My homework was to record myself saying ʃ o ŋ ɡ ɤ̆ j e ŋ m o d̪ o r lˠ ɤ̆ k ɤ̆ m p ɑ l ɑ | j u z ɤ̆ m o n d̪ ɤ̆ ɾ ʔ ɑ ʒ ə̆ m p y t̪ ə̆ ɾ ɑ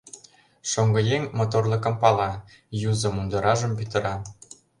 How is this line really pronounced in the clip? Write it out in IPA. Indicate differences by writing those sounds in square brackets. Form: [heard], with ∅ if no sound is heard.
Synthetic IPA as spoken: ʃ o ŋ ɡ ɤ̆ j e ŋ m o [t̪] o r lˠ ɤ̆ k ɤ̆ m p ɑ l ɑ | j u z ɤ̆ m [u] n d̪ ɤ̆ ɾ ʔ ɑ ʒ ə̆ m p y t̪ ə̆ ɾ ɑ